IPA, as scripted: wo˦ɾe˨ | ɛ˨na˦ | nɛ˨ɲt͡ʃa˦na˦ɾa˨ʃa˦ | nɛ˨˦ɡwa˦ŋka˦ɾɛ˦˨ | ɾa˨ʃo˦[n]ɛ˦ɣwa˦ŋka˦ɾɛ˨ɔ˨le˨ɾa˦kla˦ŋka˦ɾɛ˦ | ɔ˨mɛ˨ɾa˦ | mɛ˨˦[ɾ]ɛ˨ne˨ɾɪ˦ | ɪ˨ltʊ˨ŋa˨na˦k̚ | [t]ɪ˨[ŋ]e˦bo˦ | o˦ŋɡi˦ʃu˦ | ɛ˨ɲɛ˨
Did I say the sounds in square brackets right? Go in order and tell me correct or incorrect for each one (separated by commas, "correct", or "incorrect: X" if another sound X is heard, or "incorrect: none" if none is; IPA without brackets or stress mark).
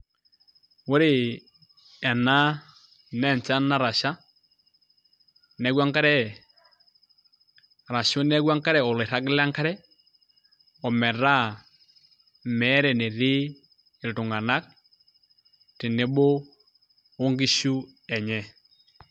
correct, correct, correct, incorrect: n